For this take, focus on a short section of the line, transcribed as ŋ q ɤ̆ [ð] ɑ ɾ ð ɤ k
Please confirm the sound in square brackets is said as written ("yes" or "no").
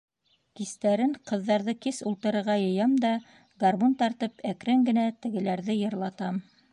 no